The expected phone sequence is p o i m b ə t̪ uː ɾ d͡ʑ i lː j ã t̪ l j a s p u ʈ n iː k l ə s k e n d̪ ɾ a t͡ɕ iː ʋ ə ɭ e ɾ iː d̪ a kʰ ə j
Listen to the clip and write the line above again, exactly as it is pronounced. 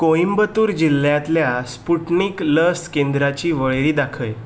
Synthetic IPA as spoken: k o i m b ə t̪ uː ɾ d͡ʑ i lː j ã t̪ l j a s p u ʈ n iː k l ə s k e n d̪ ɾ a t͡ɕ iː ʋ ə ɭ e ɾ iː d̪ a kʰ ə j